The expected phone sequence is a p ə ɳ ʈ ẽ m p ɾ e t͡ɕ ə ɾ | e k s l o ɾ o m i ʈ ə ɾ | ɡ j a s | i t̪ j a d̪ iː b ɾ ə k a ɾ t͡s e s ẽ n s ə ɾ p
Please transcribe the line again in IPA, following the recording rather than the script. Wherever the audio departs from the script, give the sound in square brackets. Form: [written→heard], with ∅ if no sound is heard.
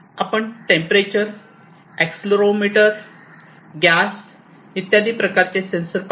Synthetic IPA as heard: a p ə ɳ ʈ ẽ m p ɾ e t͡ɕ ə ɾ | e k s l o ɾ o m i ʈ ə ɾ | ɡ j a s | i t̪ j a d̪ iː [b→p] ɾ ə k a ɾ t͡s e s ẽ n s ə ɾ p